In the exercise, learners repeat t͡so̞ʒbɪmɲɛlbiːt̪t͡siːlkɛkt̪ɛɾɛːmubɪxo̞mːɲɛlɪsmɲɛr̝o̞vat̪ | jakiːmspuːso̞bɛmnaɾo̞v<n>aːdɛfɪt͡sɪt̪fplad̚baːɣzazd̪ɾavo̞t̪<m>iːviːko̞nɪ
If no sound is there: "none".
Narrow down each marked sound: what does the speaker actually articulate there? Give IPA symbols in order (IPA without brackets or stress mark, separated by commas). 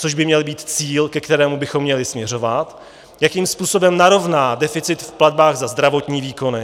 n, ɲ